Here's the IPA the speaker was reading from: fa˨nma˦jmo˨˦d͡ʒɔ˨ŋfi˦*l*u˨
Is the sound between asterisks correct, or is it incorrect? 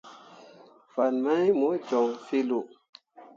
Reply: correct